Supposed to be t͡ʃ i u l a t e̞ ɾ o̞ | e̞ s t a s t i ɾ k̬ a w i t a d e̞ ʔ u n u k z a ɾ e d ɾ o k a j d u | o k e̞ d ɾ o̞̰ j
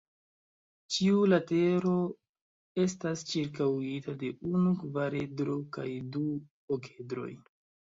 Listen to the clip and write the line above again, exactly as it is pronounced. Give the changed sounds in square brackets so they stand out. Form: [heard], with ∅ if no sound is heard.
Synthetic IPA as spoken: t͡ʃ i u l a t e̞ ɾ o̞ | e̞ s t a s [t͡ʃ] i ɾ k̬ a w i t a d e̞ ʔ u n u k [v] a ɾ e d ɾ o k a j d u | o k e̞ d ɾ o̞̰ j